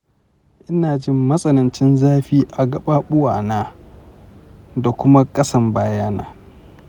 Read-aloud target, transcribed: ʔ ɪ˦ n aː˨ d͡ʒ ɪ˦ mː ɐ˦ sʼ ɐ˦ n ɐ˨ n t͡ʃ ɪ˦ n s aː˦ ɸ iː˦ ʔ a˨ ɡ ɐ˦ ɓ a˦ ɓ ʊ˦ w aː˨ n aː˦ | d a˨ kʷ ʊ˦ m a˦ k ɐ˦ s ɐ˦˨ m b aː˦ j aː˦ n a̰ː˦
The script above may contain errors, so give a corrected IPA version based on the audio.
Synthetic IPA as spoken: ʔ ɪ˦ n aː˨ d͡ʒ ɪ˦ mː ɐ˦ sʼ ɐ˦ n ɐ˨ n t͡ʃ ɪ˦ n z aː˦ ɸ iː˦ ʔ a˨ ɡ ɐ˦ ɓ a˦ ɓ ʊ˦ w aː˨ n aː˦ | d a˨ kʷ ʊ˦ m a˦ kʼ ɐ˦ s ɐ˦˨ m b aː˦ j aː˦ n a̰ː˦